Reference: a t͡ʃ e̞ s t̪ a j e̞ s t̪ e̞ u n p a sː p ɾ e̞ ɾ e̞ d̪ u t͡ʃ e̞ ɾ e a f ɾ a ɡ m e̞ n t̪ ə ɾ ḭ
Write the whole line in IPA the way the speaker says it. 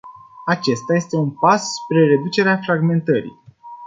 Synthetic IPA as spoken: a t͡ʃ e̞ s t̪ a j e̞ s t̪ e̞ u n p a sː p ɾ e̞ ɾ e̞ d̪ u t͡ʃ e̞ ɾ e a f ɾ a ɡ m e̞ n t̪ ə ɾ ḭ